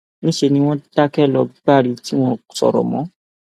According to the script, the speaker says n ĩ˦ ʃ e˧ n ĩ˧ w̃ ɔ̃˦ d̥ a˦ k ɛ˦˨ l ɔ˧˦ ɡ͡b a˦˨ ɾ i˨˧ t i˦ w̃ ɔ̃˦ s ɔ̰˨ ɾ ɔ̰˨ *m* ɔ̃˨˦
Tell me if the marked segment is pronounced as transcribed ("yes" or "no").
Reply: yes